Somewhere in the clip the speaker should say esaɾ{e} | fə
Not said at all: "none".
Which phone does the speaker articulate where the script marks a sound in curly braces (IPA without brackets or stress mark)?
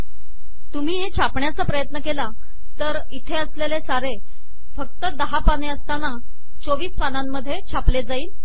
e